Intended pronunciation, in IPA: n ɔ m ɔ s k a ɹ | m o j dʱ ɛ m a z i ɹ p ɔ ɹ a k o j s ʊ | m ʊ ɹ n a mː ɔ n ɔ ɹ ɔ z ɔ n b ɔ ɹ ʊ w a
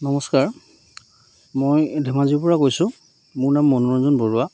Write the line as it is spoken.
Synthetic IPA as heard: n ɔ m ɔ s k a ɹ | m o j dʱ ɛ m a z i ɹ p ɔ ɹ a k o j s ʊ | m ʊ ɹ n a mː ɔ n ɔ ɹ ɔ z ɔ n b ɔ ɹ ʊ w a